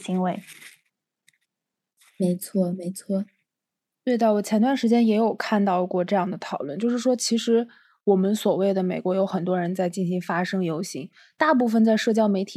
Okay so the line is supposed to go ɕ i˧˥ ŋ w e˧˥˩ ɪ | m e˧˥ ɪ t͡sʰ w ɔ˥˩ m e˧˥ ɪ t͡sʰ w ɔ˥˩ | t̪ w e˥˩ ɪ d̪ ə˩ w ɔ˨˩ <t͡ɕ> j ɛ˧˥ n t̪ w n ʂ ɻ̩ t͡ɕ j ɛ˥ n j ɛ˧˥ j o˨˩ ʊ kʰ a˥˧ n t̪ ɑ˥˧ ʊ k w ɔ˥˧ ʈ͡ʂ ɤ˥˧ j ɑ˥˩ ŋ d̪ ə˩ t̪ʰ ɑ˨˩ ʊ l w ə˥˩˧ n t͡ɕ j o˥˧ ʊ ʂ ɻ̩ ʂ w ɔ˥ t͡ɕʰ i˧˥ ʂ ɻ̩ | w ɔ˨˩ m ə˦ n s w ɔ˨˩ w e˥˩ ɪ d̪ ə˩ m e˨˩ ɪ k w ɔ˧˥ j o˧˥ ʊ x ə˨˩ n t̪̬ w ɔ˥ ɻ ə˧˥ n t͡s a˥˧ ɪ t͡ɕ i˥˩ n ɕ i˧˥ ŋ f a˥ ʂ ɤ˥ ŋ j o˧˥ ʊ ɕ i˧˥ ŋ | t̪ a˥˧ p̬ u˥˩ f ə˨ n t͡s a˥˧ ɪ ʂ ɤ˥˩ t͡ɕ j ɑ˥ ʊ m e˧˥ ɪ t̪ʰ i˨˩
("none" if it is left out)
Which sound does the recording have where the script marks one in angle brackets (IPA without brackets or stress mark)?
t͡ɕʰ